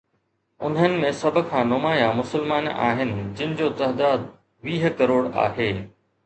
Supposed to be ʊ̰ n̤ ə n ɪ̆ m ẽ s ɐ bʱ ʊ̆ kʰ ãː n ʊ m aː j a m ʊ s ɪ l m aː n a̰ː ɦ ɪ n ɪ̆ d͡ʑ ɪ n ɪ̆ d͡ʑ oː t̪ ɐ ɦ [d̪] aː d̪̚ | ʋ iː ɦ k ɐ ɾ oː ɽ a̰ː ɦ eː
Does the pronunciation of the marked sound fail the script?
no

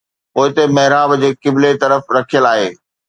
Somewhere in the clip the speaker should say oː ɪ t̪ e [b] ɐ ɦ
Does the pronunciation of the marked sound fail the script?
yes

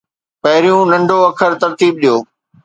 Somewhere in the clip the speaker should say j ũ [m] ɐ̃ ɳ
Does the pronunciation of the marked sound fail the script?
yes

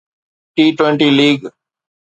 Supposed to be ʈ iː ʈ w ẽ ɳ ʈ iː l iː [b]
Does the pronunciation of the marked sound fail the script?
yes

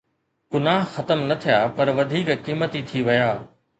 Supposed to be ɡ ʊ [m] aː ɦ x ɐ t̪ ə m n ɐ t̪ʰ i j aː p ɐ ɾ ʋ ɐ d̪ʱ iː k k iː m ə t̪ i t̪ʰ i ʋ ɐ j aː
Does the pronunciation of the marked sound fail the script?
yes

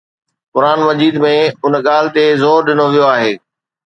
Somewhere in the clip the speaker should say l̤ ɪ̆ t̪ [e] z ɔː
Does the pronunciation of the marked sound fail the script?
no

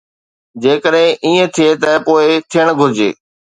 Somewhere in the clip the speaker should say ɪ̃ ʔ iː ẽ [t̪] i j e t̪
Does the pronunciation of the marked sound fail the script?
yes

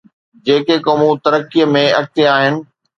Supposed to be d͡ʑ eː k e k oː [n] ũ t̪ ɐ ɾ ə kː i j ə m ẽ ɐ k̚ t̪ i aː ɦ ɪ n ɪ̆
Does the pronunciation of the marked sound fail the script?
yes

